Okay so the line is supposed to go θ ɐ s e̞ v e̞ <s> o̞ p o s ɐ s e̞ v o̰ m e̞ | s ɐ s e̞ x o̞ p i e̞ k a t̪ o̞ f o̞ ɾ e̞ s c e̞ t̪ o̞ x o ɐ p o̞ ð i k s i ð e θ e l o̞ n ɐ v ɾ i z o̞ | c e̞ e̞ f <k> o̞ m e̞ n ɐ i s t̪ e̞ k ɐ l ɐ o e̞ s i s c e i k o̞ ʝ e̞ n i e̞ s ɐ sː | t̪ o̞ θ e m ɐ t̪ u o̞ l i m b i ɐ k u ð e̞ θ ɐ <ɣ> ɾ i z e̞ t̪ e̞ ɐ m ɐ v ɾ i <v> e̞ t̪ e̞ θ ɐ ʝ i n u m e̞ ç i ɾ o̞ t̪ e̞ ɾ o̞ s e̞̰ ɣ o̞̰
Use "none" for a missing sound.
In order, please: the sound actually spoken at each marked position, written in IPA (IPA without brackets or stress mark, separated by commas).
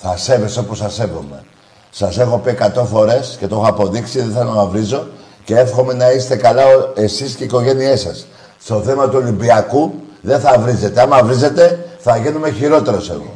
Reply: s, x, v, z